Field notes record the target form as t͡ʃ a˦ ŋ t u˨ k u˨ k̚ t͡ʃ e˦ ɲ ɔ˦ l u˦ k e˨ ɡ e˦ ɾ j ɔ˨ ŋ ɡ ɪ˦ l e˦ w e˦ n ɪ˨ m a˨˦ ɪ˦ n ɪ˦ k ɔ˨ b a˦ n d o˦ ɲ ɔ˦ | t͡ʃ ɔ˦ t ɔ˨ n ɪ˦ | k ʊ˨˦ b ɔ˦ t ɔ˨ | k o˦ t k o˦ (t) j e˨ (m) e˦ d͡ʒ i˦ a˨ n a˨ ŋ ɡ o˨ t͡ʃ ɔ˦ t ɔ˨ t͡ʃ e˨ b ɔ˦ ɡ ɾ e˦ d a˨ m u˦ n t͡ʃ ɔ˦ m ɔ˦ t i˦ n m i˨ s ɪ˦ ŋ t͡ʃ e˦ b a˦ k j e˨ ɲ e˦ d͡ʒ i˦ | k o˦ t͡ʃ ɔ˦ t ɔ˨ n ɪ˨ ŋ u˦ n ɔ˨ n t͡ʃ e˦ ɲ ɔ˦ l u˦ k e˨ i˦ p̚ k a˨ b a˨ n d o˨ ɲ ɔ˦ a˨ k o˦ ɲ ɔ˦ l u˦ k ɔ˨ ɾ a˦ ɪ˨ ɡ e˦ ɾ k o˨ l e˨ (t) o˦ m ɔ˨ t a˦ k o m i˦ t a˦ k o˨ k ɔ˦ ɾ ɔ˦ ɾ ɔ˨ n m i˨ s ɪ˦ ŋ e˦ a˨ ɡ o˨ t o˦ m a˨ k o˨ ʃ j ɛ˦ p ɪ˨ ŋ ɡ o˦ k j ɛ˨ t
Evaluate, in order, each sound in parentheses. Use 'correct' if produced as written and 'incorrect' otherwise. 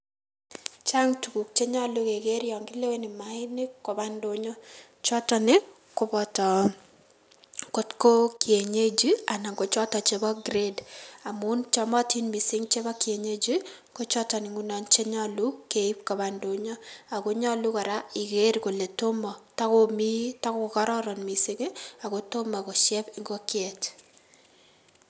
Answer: incorrect, incorrect, correct

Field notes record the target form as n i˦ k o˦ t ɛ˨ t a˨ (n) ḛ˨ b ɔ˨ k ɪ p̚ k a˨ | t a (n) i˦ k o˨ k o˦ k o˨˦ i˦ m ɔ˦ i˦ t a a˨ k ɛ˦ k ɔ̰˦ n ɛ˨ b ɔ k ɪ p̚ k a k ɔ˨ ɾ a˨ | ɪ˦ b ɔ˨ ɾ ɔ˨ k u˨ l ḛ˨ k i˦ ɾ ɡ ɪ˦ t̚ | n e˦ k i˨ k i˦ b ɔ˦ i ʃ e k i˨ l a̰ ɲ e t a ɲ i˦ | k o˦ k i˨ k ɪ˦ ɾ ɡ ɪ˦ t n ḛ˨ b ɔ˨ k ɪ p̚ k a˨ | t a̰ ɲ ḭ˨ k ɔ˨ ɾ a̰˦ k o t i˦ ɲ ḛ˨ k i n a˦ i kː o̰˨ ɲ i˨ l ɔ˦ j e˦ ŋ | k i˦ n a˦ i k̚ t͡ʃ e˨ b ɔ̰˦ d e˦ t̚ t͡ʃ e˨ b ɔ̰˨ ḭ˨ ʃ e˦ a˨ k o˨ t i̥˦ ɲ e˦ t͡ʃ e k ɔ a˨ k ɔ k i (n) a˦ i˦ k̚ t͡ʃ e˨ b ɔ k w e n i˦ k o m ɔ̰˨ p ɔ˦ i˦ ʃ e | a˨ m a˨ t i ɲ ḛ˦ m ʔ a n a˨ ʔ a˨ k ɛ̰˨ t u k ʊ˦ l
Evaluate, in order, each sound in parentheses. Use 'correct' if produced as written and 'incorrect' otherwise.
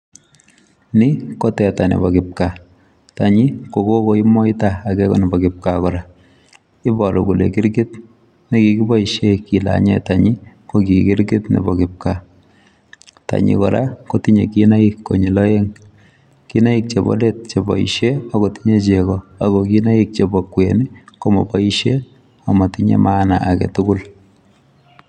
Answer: correct, incorrect, correct

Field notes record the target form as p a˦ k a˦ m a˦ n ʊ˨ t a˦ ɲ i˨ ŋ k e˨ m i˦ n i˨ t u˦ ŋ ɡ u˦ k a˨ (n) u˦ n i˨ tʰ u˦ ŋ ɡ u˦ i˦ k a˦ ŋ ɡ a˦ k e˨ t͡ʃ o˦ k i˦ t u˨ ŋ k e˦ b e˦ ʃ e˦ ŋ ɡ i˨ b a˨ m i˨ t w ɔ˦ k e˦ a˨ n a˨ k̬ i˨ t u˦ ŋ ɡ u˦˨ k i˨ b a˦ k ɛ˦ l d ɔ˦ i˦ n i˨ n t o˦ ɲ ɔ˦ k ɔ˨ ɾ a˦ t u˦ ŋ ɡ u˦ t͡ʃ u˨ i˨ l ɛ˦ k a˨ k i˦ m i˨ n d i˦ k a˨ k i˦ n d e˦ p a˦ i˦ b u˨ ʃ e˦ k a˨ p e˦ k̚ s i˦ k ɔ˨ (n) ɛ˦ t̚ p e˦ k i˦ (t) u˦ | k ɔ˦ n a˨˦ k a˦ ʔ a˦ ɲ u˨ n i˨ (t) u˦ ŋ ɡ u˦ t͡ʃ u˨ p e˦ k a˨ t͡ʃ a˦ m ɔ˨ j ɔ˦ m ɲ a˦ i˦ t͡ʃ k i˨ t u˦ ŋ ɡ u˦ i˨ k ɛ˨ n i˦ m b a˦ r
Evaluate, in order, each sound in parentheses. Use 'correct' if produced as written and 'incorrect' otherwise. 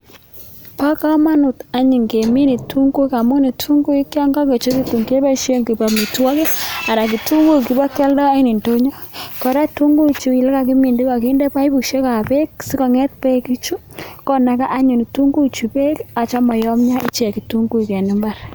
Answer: incorrect, incorrect, incorrect, correct

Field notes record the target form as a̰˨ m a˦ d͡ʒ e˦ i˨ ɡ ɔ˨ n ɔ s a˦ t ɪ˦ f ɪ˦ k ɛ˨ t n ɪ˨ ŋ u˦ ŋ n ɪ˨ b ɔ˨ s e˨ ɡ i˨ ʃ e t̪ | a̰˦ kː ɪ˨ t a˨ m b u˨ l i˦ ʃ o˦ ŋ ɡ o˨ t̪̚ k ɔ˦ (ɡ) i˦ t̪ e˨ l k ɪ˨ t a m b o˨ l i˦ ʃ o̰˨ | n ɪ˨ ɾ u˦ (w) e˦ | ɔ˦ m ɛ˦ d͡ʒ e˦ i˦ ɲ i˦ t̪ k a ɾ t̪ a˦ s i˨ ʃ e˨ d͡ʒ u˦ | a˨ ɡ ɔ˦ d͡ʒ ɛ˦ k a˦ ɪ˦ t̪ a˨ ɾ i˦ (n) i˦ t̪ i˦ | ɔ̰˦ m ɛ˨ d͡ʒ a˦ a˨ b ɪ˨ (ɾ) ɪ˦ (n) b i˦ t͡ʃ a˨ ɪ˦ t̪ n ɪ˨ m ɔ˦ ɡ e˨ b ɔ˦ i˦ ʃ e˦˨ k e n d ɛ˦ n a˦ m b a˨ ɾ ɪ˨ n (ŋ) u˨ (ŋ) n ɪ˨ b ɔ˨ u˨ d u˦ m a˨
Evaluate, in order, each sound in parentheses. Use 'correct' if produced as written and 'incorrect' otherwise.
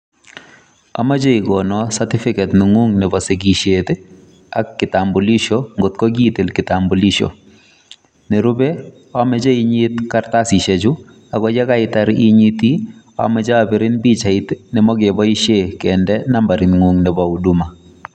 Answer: correct, incorrect, incorrect, correct, correct, correct, correct

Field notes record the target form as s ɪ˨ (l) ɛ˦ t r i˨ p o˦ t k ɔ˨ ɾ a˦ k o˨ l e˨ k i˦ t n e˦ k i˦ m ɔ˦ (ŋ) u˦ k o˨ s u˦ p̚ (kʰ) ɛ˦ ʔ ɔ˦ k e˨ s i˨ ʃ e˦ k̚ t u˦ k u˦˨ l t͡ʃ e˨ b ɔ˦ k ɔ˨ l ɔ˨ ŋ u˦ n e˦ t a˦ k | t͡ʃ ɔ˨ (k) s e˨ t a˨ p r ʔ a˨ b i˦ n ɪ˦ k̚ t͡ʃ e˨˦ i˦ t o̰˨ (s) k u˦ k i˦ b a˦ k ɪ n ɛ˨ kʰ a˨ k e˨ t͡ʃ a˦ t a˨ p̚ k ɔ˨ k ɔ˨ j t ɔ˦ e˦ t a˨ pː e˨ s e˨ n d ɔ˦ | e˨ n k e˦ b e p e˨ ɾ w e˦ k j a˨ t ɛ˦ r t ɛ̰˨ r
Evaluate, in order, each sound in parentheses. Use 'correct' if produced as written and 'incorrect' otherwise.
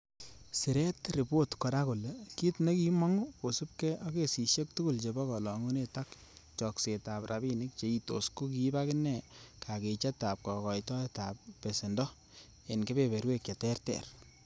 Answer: incorrect, correct, incorrect, correct, correct

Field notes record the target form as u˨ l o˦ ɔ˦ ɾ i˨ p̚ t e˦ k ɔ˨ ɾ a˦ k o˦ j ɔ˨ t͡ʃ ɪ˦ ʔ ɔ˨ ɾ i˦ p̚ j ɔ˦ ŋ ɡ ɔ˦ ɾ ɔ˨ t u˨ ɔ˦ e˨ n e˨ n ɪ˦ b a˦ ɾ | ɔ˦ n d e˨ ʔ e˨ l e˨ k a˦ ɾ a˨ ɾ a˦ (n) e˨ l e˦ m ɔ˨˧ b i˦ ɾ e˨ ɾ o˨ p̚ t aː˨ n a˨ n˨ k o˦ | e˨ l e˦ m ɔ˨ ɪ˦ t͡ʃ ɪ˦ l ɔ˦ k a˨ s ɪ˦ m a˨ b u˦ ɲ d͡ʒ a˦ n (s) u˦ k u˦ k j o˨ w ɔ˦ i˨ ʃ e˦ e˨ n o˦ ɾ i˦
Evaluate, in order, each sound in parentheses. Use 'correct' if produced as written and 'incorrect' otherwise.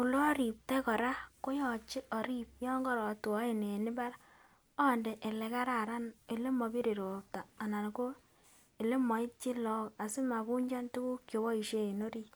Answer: correct, incorrect

